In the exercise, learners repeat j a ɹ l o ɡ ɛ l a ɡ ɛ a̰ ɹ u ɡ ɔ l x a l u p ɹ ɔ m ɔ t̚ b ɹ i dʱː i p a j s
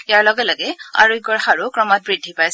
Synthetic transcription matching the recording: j a ɹ l ɔ ɡ ɛ l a ɡ ɛ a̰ ɹ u ɡ ɔ ɹ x a ɹ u k ɹ ɔ m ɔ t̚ b ɹ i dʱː i p a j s